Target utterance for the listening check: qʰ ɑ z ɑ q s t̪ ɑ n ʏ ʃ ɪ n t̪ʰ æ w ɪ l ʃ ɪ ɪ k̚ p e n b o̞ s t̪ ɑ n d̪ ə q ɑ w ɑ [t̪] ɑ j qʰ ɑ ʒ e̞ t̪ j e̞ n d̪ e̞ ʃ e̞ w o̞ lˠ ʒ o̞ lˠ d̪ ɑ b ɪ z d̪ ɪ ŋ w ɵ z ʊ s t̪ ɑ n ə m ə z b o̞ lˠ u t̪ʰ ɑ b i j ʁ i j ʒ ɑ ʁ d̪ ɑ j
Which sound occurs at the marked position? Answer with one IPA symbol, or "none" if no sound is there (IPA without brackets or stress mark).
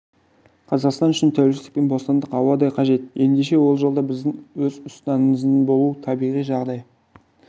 d̪